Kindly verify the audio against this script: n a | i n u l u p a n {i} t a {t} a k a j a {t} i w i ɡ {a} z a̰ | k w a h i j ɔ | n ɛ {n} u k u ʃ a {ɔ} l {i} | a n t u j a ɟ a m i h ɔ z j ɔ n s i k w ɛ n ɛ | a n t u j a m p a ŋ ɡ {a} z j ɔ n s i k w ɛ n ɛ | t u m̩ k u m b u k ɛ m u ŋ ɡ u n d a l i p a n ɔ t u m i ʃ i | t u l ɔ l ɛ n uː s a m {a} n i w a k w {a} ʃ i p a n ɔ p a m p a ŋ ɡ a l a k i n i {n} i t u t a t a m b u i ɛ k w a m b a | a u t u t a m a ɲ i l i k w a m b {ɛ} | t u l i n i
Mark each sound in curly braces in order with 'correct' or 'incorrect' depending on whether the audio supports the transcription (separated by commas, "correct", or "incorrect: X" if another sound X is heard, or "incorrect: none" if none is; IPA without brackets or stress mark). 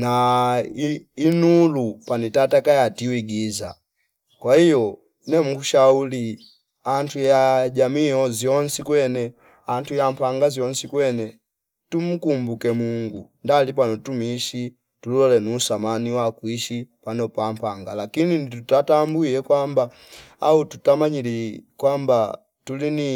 correct, correct, correct, incorrect: i, incorrect: m, incorrect: u, correct, correct, correct, incorrect: i, correct, incorrect: a